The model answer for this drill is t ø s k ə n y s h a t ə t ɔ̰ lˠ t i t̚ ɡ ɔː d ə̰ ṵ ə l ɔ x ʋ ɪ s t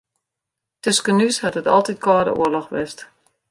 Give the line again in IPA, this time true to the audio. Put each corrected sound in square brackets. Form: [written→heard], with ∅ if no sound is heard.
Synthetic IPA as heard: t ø s k ə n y s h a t ə t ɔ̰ lˠ t i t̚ [ɡ→k] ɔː d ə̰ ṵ ə l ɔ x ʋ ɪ s t